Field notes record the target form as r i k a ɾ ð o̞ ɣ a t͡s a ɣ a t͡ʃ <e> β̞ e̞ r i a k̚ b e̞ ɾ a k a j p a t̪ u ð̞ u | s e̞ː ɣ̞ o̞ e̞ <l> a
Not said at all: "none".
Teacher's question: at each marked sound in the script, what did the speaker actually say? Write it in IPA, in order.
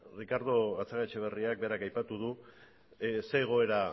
e, ɾ

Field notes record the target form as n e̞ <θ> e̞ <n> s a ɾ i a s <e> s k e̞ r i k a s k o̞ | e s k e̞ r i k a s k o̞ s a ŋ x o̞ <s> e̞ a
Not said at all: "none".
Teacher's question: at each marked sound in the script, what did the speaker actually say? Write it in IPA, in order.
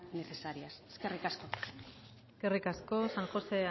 θ, none, e, s

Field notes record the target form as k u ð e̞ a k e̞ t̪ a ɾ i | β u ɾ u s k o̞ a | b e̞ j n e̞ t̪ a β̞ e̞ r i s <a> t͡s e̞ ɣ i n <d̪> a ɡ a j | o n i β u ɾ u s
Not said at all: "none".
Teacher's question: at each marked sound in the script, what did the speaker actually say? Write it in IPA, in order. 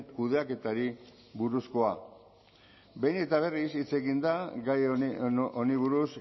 i, d̪

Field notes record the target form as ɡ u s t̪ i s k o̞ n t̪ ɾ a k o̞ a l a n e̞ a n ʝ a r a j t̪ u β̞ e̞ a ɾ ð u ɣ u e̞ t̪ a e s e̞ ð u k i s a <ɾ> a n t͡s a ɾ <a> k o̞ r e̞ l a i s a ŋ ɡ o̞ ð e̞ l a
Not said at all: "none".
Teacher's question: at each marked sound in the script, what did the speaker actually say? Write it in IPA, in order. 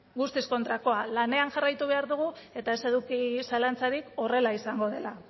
l, i

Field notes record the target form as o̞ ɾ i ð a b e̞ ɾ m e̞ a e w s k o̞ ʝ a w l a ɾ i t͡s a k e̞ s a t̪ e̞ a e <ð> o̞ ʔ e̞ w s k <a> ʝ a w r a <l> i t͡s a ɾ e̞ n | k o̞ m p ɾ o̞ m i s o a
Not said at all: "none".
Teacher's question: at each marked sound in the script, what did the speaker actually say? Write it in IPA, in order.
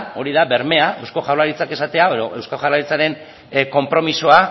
ð, a, ɾ

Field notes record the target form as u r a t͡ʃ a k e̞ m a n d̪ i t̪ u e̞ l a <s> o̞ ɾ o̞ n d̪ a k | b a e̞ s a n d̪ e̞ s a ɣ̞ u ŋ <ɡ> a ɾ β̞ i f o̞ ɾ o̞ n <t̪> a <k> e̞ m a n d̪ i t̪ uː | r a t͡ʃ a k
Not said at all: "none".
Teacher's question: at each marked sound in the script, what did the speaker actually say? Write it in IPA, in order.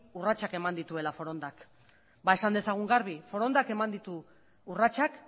f, ɡ, d̪, k

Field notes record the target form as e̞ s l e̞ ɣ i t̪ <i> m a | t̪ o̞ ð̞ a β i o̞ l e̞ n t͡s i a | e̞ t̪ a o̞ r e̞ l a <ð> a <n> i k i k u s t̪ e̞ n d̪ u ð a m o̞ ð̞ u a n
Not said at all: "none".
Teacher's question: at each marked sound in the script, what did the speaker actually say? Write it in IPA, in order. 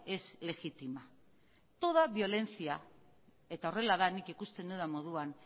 i, ð, n

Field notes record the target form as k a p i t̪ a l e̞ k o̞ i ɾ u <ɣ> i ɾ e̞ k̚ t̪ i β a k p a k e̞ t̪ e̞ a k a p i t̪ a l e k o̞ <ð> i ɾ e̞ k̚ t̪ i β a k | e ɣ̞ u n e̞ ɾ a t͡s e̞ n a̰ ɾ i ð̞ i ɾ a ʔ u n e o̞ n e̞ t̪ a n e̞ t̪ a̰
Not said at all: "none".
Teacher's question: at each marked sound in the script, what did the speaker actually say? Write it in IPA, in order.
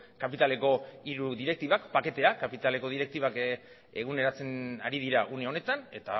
ð, ð

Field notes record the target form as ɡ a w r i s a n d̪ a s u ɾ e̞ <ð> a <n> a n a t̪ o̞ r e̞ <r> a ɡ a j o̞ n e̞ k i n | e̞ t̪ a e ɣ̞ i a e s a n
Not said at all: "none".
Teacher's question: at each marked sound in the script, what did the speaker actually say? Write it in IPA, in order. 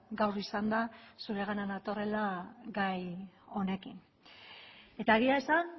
ɣ, n, l

